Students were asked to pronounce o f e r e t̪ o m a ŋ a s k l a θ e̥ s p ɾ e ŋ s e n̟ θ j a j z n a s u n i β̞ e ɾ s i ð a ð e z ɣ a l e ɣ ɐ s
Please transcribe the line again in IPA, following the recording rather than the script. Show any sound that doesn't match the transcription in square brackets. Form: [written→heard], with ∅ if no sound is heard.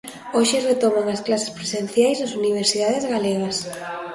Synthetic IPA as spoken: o [f→ʃ] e r e t̪ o m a ŋ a s k l a [θ→s] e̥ s p ɾ e [ŋ→∅] s e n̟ θ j a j z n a s u n i β̞ e ɾ s i ð a ð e z ɣ a l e ɣ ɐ s